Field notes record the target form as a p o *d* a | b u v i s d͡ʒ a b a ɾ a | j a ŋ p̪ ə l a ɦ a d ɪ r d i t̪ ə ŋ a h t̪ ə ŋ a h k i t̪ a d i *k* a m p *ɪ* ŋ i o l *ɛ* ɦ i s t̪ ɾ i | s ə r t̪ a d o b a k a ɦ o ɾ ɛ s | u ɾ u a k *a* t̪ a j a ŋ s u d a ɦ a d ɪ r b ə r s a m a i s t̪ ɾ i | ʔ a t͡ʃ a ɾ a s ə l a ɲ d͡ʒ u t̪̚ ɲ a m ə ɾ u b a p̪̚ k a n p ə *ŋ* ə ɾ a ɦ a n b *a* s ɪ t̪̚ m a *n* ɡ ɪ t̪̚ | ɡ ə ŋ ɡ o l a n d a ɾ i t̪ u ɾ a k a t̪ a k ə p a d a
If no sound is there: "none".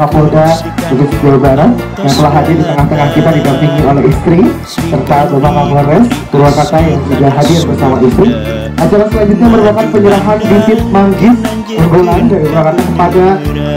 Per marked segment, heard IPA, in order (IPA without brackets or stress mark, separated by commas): d, ɡ, i, ɛ, a, ɲ, i, ŋ